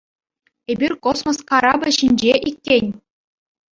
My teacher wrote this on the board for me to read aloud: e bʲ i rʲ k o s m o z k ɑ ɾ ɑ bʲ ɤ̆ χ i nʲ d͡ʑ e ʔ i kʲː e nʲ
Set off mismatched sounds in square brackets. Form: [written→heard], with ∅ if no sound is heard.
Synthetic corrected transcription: e bʲ i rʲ k o s m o [z→s] k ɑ ɾ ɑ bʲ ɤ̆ [χ→ɕ] i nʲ d͡ʑ e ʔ i kʲː e nʲ